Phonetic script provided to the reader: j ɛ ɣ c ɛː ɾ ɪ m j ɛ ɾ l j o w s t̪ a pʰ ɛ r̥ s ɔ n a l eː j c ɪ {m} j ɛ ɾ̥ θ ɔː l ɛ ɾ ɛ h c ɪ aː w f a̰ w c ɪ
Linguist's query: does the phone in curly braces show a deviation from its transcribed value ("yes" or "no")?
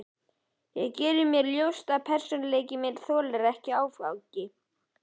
no